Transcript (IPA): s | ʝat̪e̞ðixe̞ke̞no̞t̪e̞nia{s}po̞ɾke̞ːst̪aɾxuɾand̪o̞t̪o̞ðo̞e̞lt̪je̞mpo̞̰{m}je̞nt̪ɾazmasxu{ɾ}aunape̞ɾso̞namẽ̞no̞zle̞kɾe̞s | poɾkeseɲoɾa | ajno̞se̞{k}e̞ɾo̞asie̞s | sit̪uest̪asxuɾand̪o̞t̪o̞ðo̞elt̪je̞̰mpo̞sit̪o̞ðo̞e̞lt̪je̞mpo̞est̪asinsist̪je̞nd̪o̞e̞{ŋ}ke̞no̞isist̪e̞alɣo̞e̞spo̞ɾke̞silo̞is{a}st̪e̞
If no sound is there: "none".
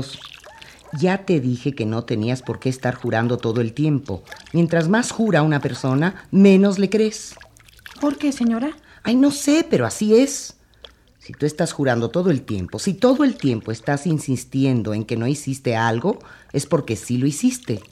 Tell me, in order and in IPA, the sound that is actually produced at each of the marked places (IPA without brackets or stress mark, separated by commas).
s, m, ɾ, p, ŋ, i